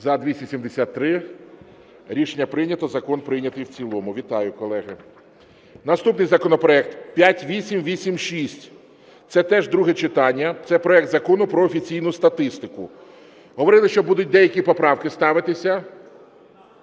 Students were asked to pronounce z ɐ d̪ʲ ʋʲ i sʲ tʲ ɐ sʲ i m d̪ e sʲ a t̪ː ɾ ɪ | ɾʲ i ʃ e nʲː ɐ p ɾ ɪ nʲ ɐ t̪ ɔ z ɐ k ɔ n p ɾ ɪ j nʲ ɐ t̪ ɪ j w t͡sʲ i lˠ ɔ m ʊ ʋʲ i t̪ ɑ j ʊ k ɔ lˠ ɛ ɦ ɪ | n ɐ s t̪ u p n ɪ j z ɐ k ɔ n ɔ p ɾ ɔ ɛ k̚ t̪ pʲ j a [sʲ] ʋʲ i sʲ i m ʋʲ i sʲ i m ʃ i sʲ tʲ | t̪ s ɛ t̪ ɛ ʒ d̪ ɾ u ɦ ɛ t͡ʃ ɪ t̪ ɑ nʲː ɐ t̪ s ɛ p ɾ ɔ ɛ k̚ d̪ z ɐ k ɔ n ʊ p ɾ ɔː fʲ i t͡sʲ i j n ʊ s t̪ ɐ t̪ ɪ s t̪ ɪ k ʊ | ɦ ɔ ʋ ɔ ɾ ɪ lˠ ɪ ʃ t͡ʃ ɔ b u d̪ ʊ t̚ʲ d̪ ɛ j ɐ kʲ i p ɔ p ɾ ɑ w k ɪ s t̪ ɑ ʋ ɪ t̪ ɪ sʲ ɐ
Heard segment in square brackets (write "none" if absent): tʲ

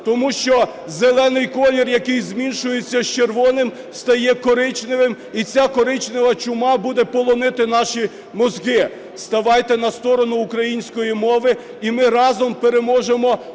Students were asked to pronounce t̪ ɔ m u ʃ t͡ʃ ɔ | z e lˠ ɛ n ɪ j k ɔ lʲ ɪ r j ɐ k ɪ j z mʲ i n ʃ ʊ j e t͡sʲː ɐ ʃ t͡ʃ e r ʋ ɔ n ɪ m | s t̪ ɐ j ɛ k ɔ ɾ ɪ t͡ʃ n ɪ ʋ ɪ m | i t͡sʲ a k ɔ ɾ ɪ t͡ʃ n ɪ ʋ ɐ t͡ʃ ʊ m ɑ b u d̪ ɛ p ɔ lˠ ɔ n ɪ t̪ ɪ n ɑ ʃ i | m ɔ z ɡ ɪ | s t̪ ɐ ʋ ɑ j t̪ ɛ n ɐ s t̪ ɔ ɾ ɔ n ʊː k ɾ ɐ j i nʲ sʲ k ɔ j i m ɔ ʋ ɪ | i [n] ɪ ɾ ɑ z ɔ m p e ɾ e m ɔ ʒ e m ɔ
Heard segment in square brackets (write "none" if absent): m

